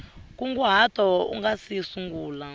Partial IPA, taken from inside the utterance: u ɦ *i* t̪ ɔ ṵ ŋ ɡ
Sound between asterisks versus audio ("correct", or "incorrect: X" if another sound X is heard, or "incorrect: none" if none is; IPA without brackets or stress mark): incorrect: a